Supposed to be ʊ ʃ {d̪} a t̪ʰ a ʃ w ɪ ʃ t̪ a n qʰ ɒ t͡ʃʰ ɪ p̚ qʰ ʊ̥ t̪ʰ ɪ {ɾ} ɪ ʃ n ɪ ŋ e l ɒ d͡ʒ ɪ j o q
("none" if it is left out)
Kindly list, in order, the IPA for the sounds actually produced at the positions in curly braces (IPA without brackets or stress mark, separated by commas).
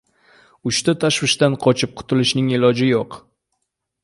t̪, l